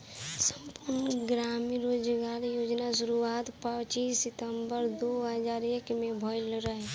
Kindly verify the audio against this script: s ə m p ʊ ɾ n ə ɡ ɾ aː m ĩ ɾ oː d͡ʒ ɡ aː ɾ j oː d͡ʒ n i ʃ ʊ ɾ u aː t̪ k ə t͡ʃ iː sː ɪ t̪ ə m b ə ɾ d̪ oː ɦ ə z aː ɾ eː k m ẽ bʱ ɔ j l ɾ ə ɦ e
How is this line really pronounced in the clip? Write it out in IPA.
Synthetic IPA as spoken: s ə m p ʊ ɾ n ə ɡ ɾ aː m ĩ ɾ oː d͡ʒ ɡ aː ɾ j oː d͡ʒ n a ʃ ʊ ɾ u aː t̪ p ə t͡ʃ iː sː ɪ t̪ ə m b ə ɾ d̪ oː ɦ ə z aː ɾ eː k m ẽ bʱ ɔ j l ɾ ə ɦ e